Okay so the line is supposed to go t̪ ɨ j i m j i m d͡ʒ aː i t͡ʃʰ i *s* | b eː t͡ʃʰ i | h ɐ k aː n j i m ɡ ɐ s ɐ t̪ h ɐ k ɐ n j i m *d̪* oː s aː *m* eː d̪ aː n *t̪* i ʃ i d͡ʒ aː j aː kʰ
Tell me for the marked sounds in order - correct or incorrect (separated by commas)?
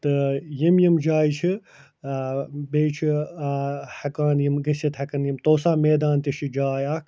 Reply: incorrect, incorrect, correct, correct